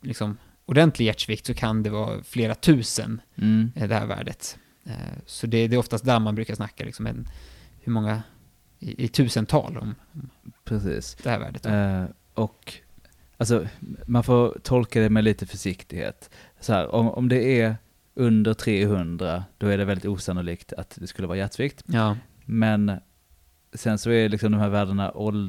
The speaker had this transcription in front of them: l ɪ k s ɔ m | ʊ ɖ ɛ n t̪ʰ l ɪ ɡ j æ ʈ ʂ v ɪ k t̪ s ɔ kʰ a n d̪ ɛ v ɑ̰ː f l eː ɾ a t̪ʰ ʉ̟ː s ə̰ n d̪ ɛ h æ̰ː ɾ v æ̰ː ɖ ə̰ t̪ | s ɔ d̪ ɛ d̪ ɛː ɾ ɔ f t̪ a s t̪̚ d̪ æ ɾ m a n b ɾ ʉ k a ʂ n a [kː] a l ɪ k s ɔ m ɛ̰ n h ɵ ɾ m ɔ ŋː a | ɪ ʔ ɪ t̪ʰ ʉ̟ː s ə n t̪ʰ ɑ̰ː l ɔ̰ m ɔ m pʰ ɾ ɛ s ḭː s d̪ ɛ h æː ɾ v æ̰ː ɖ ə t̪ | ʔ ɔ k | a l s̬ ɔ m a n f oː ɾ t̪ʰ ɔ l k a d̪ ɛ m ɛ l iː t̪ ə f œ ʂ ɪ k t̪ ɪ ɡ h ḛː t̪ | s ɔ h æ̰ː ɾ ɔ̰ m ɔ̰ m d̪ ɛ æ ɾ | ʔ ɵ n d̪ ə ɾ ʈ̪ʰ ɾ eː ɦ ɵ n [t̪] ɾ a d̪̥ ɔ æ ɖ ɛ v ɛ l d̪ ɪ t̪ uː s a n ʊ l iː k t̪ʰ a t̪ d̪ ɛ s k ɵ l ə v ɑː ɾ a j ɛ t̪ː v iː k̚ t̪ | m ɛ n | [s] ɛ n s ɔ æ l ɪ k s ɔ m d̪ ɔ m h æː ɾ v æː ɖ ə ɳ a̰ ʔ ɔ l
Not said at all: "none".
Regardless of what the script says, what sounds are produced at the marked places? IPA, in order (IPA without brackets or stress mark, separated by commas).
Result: kː, d̪, s